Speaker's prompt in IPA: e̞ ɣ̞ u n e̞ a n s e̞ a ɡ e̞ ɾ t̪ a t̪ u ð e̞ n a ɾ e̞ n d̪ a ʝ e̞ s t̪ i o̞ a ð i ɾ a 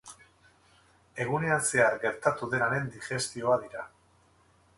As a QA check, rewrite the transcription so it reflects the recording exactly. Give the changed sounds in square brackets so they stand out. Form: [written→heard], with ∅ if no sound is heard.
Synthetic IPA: e̞ ɣ̞ u n e̞ a n s e̞ a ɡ e̞ ɾ t̪ a t̪ u ð e̞ n a ɾ e̞ n d̪ [a→i] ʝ e̞ s t̪ i o̞ a ð i ɾ a